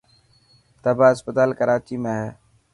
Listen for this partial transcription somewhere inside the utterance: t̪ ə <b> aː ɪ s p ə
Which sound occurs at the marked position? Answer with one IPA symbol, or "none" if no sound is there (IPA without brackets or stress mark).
b